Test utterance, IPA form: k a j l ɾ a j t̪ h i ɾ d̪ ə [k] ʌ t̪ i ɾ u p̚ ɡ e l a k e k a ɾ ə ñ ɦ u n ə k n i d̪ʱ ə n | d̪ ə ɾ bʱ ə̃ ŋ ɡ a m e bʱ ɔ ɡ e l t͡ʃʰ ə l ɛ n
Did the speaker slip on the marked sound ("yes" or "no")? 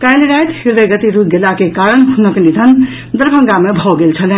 yes